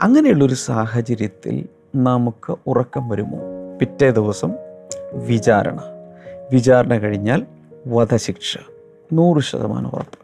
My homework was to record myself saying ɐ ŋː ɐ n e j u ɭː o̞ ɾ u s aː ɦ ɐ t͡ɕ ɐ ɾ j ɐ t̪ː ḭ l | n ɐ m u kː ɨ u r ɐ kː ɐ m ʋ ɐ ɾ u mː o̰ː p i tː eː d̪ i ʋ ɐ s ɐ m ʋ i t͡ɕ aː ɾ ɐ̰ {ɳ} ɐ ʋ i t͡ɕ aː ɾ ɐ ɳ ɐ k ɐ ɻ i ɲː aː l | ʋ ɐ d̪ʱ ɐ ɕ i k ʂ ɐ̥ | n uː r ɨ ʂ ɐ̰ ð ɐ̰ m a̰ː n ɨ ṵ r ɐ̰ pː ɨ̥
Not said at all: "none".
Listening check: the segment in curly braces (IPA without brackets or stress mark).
ɳ